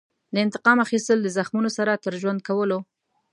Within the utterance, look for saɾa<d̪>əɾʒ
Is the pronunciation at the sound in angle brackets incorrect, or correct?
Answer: incorrect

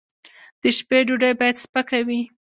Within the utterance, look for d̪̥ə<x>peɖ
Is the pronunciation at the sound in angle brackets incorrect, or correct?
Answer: incorrect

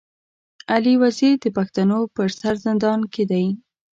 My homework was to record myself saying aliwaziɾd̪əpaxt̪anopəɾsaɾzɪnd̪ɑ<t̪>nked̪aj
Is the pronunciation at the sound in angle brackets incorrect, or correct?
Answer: incorrect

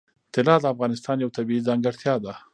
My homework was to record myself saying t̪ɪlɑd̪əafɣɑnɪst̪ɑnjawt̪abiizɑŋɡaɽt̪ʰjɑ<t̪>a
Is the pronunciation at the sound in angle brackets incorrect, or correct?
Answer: incorrect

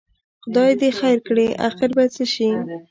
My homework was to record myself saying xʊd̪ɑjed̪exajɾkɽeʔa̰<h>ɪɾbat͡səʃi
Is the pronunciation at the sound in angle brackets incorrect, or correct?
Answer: incorrect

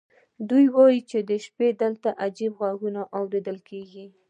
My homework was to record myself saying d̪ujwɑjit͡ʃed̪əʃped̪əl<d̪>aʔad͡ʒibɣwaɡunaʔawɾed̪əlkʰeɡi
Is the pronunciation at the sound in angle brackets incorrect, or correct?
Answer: incorrect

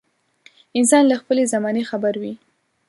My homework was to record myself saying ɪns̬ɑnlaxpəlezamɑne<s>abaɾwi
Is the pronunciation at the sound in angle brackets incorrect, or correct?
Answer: incorrect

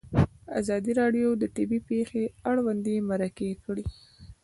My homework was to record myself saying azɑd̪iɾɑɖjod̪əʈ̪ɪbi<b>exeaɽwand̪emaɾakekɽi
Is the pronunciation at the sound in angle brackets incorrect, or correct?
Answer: incorrect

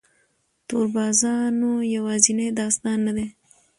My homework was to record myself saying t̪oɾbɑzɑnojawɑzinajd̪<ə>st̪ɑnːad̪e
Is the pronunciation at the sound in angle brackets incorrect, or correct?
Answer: incorrect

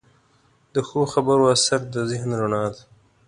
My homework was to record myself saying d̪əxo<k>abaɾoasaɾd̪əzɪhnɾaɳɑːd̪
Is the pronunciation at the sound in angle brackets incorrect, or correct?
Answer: incorrect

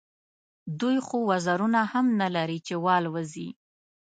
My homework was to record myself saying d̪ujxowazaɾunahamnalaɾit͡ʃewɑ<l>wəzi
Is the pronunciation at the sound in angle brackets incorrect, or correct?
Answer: correct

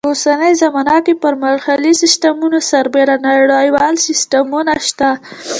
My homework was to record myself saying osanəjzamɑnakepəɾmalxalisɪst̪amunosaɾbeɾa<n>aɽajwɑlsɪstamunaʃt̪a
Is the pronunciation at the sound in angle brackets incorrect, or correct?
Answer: correct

